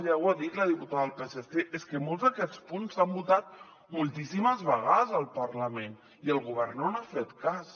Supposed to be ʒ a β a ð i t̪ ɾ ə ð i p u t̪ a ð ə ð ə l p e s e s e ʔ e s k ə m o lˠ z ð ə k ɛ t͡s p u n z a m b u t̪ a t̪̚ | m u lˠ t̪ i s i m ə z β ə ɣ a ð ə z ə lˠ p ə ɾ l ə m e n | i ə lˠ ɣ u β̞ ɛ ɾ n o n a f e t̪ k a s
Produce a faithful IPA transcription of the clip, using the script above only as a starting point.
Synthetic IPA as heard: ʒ a w a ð i t̪ l ə ð i p u t̪ a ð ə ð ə l p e s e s e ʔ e s k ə m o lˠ z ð ə k ɛ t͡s p u n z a m b u t̪ a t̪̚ | m u lˠ t̪ i s i m ə z β ə ɣ a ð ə z ə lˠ p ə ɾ l ə m e n | i ə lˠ ɣ u β̞ ɛ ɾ n o n a f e t̪ k a s